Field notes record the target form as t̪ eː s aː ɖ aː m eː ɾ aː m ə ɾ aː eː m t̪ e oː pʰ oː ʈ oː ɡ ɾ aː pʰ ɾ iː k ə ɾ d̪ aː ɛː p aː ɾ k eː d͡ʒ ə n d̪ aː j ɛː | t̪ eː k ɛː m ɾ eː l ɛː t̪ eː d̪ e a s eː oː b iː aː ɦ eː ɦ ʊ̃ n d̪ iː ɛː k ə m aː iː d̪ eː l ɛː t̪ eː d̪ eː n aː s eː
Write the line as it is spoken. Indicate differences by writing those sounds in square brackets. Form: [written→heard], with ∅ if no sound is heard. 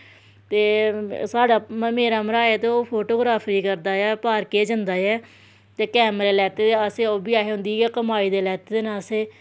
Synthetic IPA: t̪ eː s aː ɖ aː m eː ɾ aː m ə ɾ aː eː [m→∅] t̪ e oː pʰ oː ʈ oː ɡ ɾ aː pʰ ɾ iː k ə ɾ d̪ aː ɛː p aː ɾ k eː d͡ʒ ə n d̪ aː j ɛː | t̪ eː k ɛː m ɾ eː l ɛː t̪ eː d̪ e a s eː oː b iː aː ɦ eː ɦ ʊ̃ n d̪ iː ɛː k ə m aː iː d̪ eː l ɛː t̪ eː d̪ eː n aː s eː